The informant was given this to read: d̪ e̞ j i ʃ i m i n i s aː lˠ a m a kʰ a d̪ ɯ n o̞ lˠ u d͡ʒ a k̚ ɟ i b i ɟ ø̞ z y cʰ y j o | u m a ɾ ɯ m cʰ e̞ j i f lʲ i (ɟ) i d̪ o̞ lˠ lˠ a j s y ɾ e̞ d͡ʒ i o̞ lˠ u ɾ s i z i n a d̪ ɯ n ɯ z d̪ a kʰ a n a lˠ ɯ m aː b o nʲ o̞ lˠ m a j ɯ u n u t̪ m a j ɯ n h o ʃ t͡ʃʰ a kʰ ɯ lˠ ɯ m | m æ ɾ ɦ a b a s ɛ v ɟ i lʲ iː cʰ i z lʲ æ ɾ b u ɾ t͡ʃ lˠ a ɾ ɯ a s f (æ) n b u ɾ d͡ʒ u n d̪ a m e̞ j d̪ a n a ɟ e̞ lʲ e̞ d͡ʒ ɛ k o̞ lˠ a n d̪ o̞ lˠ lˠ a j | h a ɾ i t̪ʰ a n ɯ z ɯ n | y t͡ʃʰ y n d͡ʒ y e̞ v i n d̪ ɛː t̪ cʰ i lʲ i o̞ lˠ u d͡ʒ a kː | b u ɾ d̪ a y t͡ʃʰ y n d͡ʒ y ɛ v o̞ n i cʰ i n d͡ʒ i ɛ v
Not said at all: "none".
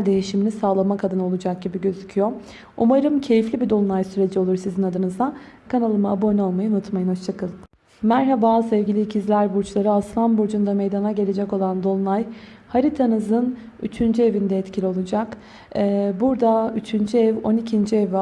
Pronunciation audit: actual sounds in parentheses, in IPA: b, a

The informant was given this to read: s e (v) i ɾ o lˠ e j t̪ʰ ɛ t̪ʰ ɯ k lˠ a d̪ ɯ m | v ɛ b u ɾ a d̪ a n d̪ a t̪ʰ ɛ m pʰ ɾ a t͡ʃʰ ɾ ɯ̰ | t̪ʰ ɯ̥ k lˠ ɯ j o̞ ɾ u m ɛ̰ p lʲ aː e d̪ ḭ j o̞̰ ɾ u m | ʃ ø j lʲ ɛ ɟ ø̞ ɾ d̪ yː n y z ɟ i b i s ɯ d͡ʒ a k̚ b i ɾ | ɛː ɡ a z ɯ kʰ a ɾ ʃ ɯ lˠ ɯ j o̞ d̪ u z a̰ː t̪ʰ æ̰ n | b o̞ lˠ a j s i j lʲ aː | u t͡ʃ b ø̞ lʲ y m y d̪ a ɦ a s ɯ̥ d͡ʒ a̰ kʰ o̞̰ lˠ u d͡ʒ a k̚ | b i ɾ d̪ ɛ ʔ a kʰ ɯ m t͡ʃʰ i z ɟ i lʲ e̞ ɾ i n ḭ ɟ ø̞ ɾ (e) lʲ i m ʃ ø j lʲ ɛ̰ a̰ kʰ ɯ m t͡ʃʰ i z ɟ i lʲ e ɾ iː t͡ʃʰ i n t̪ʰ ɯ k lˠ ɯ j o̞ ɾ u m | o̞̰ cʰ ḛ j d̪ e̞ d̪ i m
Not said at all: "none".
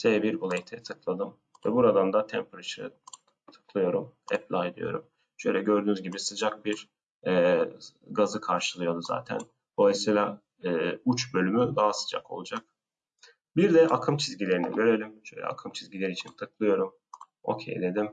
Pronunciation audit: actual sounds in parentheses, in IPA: b, e

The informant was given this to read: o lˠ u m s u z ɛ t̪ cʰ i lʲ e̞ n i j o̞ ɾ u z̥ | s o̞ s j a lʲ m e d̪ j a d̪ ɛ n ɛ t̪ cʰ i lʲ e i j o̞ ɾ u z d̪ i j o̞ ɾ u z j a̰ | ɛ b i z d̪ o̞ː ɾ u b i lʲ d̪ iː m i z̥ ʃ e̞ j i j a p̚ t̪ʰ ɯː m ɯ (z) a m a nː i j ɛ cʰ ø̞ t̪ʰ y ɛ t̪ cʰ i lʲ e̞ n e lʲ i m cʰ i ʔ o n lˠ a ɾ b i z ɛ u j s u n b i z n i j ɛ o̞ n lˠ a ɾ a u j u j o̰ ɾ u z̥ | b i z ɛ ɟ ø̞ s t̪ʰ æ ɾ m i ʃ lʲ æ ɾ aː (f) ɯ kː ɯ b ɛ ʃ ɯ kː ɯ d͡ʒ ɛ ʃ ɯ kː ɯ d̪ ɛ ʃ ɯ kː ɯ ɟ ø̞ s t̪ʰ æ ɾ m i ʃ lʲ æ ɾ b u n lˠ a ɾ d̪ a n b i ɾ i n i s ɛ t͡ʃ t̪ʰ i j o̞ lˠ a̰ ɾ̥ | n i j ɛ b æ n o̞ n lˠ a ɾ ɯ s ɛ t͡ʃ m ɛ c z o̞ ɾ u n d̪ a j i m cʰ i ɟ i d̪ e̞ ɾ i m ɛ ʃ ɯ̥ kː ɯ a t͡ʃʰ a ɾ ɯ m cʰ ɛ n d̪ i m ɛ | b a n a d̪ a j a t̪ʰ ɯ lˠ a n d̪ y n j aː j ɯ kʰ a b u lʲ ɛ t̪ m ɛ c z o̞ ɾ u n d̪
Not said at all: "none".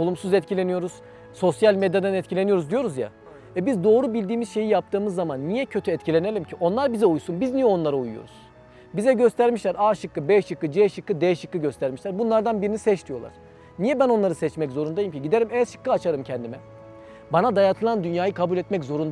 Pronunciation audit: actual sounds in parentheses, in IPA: zː, ʃ

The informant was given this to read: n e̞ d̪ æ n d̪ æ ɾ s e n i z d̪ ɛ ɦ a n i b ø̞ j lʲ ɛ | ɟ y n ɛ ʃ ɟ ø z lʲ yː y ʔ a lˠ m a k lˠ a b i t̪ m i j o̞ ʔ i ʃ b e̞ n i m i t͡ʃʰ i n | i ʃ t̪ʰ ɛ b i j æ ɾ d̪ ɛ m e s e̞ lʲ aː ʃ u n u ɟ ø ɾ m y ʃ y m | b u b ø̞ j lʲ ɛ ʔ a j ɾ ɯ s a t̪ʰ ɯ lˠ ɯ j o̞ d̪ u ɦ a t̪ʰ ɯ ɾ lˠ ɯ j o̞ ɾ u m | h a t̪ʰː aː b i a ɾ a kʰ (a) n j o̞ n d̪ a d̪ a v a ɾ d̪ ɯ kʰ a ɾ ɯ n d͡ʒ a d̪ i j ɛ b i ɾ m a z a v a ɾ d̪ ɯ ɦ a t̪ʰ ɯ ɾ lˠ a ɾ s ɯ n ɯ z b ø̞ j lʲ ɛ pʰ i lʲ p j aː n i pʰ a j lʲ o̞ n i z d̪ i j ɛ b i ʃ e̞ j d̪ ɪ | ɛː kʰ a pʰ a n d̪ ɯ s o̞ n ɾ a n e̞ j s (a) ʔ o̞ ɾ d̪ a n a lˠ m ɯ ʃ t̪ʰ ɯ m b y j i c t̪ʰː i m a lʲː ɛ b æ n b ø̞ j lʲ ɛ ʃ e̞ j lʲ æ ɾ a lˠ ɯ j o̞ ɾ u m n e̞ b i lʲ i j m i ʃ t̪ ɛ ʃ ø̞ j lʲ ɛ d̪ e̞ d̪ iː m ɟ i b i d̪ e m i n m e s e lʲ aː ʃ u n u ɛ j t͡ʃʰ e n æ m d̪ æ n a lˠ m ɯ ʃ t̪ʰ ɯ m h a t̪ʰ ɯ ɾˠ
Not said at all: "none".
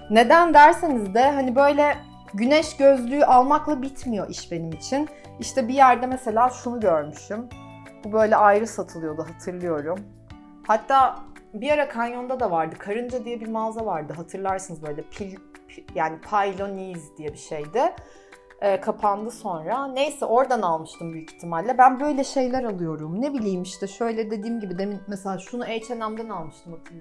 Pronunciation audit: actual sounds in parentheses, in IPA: a, ɛ

